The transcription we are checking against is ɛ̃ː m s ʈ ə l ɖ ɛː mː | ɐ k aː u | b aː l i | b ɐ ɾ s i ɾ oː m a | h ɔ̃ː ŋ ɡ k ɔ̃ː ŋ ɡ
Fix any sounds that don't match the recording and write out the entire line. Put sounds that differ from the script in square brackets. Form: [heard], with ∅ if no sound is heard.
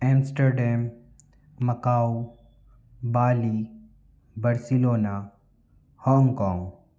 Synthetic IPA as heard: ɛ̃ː m s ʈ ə [ɾ] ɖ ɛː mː | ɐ k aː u | b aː l i | b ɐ ɾ s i [l] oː [n] a | h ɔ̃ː ŋ ɡ k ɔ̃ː ŋ ɡ